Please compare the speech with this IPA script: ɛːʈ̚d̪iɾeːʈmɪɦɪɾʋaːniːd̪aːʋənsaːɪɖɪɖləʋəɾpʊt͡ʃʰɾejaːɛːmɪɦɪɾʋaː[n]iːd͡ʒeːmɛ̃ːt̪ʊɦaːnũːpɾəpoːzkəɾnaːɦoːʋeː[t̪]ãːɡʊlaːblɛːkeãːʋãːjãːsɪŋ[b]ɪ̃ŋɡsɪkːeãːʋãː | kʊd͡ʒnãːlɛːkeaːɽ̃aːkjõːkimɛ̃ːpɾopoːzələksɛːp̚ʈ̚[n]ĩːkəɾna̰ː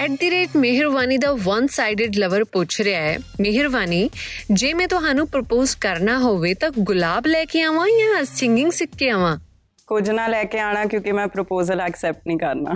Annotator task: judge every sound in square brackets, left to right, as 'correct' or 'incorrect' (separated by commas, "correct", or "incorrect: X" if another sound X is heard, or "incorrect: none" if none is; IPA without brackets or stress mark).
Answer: correct, correct, incorrect: ɡ, correct